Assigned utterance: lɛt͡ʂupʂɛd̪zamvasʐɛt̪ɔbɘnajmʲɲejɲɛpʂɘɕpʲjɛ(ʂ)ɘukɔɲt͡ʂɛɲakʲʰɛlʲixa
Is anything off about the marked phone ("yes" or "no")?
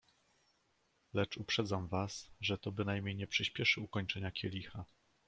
no